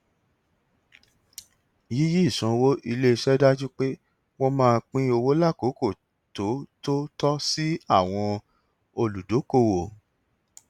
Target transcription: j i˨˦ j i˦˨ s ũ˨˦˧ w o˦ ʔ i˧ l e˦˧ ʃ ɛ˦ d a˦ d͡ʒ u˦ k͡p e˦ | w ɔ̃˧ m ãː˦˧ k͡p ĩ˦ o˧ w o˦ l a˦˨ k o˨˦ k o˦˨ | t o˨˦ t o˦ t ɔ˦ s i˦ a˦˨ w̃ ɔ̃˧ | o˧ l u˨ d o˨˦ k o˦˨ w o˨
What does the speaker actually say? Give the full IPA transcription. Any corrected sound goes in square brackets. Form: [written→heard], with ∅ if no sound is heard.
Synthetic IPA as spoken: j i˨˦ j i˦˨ s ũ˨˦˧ w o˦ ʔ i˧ l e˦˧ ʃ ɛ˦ d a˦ d͡ʒ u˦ k͡p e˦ | w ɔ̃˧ m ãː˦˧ k͡p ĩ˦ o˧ w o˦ l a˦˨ k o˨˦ k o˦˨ | t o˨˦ t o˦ t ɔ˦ s i˦ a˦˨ w̃ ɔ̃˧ | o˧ l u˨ d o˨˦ k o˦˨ w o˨